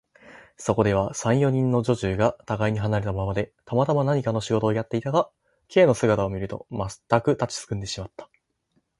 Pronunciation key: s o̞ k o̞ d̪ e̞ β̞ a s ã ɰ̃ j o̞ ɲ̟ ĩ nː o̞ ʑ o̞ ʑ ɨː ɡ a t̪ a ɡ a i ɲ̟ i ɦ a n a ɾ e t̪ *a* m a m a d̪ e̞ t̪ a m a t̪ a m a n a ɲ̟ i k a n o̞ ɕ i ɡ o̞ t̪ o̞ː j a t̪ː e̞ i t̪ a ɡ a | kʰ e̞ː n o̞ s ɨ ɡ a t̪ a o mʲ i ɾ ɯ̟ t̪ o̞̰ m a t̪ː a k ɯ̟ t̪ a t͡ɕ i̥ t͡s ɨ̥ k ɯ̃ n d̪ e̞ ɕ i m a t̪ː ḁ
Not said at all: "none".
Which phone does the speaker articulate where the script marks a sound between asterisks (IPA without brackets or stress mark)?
a